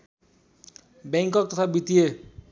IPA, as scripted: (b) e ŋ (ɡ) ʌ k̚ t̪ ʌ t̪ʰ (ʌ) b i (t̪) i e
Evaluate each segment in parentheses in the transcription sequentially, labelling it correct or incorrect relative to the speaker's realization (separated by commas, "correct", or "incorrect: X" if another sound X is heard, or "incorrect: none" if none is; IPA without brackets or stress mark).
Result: correct, incorrect: k, incorrect: a, correct